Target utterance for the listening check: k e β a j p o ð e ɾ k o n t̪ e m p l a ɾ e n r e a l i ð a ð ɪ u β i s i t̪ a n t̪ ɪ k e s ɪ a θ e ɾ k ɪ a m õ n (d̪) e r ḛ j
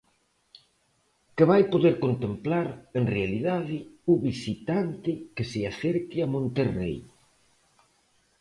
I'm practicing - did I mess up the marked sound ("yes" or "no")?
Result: yes